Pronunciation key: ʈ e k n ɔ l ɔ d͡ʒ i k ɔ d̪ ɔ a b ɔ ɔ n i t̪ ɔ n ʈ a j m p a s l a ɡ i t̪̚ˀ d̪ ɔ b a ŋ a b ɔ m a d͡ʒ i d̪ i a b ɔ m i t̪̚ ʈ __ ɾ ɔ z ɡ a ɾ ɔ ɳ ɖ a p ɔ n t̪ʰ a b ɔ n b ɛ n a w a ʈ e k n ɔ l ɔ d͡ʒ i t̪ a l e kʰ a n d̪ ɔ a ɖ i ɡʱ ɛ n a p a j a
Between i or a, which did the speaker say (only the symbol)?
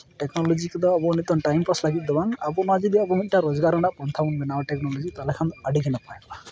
a